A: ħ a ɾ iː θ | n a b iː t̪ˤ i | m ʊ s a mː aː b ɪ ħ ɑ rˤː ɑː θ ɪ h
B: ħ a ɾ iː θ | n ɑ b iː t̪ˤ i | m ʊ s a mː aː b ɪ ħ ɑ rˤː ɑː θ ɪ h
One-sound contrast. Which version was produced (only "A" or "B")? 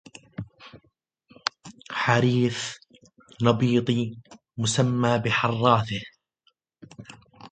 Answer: B